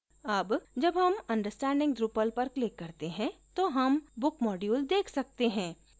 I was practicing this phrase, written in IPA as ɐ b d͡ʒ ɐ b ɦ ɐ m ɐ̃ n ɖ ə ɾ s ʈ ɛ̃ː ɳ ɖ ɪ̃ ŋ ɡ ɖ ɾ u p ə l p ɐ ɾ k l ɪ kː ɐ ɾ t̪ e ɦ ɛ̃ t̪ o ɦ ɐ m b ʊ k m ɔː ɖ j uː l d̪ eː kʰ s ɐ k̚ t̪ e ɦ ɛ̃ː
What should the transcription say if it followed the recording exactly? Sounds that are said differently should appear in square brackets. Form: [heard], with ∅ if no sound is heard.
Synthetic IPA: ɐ b d͡ʒ ɐ b ɦ ɐ m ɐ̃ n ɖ ə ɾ s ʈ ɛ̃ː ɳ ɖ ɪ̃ ŋ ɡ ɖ ɾ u p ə l p ɐ ɾ k l ɪ kː ɐ ɾ t̪ e ɦ ɛ̃ t̪ o ɦ ɐ m b ʊ k m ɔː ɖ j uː l d̪ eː kʰ s ɐ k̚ t̪ e ɦ ɛ̃ː